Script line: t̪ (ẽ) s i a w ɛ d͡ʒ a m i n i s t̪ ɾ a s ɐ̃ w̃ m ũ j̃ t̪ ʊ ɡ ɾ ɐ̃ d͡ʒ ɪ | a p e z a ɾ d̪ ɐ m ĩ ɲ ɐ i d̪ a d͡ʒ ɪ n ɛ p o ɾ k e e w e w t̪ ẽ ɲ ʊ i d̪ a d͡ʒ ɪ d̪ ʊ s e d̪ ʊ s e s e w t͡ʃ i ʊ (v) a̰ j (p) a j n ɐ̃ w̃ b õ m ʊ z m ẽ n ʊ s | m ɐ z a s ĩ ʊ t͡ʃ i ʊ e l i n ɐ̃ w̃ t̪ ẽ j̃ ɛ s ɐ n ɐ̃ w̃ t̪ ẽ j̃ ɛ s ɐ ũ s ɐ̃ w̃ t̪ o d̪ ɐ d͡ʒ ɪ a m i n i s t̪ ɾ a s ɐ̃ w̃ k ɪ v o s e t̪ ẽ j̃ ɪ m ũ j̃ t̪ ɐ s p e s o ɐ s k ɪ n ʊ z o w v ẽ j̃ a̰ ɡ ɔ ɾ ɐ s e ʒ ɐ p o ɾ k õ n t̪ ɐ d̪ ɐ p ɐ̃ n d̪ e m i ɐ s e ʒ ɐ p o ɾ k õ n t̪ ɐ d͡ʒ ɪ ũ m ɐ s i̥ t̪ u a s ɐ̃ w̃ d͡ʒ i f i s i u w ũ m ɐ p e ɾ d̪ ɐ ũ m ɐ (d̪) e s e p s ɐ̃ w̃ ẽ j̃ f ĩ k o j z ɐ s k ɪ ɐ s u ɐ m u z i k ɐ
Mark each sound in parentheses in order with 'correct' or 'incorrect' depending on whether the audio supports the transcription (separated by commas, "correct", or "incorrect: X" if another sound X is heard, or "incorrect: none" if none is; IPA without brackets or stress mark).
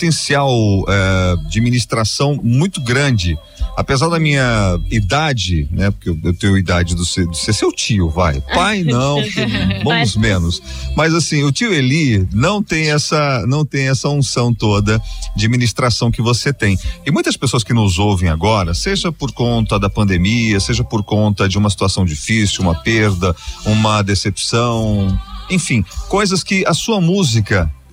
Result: correct, correct, correct, correct